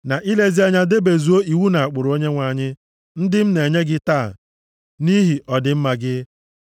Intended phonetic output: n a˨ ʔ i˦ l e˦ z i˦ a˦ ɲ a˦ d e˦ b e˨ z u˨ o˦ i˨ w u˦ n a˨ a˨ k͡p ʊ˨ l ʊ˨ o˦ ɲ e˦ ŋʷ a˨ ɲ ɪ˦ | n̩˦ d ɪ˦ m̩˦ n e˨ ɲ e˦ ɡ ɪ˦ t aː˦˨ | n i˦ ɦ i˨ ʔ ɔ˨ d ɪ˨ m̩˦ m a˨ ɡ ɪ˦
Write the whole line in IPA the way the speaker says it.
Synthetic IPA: n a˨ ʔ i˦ l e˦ z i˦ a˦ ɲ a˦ d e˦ b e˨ z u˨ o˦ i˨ w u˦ n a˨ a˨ k͡p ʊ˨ ɾ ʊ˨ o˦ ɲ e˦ ŋʷ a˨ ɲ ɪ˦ | n̩˦ d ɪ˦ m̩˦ n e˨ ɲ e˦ ɡ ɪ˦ t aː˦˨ | n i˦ ɦ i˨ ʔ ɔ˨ d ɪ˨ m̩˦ m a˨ ɡ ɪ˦

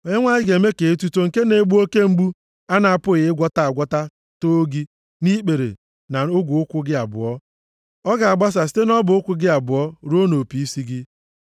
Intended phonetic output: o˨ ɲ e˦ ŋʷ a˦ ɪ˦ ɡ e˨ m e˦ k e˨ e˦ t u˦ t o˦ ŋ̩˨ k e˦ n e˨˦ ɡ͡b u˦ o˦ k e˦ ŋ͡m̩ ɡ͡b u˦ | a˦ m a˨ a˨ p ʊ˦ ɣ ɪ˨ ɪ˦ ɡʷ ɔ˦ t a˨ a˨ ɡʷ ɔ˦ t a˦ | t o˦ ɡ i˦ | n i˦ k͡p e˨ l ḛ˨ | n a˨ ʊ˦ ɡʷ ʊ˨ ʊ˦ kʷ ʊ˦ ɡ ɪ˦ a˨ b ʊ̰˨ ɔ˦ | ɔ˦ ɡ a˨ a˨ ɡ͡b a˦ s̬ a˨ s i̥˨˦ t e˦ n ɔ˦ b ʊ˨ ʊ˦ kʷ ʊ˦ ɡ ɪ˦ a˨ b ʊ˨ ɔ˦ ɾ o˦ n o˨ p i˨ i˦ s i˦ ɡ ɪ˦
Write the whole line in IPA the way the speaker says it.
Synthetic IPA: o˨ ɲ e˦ ŋʷ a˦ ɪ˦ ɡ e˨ m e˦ k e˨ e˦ t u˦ t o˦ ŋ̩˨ k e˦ n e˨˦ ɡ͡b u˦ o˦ k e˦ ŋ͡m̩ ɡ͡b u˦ | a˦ n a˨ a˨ p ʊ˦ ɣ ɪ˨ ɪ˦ ɡʷ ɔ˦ t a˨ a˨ ɡʷ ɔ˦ t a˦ | t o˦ ɡ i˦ | n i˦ k͡p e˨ ɾ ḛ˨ | n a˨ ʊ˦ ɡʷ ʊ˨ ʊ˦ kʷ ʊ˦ ɡ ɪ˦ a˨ b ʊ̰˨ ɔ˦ | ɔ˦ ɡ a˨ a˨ ɡ͡b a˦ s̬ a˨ s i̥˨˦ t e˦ n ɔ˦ b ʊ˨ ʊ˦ kʷ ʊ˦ ɡ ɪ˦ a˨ b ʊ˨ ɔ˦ ɾ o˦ n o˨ p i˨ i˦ s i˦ ɡ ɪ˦

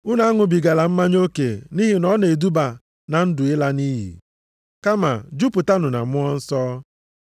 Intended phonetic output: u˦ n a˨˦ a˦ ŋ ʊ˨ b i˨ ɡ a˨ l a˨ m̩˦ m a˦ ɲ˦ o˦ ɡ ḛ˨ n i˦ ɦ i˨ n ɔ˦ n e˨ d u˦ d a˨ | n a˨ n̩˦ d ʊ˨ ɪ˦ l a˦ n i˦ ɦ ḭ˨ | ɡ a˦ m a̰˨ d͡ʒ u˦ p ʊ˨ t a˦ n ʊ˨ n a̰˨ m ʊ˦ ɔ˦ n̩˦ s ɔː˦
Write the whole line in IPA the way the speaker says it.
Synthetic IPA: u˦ n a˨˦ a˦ ŋ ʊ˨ b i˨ ɡ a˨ l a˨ m̩˦ m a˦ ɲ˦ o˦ k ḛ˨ n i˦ ɦ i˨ n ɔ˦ n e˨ d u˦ b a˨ | n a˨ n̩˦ d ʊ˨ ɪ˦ l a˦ n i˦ ɦ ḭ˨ | k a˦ m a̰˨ d͡ʒ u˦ p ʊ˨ t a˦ n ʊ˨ n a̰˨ m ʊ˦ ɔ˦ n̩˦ s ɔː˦

